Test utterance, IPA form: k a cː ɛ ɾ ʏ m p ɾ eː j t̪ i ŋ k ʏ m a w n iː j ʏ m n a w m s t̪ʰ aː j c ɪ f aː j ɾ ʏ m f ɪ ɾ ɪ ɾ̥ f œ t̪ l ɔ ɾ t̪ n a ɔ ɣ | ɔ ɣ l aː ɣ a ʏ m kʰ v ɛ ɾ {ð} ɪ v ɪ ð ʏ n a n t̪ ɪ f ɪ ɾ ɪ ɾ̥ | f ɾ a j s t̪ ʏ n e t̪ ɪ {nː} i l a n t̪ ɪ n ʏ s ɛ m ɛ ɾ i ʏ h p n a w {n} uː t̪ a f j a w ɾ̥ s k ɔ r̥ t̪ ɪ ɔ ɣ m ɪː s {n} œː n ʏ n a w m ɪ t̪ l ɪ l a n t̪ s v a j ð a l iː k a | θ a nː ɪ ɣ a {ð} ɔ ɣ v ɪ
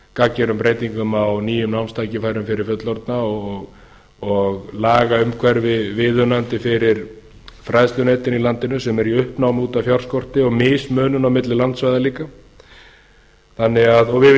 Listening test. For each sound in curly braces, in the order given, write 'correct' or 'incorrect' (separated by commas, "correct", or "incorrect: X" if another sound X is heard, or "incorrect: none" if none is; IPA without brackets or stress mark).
incorrect: v, incorrect: n, incorrect: m, incorrect: m, correct